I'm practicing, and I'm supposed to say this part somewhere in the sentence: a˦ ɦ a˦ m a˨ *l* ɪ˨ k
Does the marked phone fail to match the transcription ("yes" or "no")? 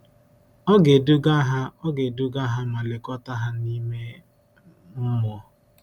no